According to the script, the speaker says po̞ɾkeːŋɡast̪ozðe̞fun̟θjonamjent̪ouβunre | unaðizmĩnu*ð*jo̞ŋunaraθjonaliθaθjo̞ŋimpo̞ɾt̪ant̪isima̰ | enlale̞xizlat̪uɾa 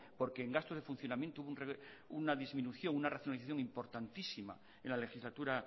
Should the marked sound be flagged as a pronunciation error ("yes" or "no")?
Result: yes